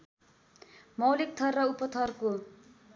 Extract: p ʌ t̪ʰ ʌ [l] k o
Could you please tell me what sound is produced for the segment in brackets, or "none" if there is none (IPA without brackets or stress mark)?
r